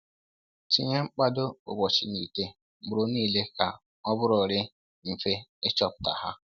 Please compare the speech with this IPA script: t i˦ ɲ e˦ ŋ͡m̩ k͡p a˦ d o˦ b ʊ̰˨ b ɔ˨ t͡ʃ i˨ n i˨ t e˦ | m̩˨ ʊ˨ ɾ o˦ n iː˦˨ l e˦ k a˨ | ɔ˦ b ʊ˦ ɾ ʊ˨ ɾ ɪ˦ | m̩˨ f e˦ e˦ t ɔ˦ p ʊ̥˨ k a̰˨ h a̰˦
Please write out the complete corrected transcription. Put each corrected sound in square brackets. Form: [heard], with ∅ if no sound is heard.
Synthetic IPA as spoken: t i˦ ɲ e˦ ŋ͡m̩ k͡p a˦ d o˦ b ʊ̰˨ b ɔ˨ t͡ʃ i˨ n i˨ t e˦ | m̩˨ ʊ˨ ɾ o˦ n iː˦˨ l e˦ k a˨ | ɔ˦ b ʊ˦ ɾ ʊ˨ ɾ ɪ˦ | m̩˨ f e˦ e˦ [t͡ʃ] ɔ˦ p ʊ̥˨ [t] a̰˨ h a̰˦